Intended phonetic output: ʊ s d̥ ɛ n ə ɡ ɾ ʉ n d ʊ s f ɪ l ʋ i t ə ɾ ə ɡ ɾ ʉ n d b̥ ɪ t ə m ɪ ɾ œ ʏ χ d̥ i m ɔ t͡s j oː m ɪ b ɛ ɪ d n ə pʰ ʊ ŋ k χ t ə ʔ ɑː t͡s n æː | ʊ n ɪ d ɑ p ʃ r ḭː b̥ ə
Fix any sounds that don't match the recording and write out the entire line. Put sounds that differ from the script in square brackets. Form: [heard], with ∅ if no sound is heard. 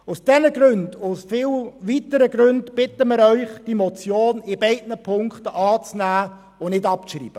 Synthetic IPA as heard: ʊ s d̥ ɛ n ə ɡ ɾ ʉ n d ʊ s f ɪ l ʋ i t ə ɾ ə ɡ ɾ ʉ n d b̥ ɪ t ə m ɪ ɾ œ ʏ χ d̥ i m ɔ t͡s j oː [n] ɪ b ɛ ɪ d n ə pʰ ʊ ŋ k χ t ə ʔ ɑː t͡s n æː | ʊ n ɪ d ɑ p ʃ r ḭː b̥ ə